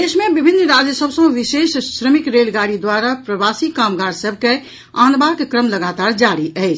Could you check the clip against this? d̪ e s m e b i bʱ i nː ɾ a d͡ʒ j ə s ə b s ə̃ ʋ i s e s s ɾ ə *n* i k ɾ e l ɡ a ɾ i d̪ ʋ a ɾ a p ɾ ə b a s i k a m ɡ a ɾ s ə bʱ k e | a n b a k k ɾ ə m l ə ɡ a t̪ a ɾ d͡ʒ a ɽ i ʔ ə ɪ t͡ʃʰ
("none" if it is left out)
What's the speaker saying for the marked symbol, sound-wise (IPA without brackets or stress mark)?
m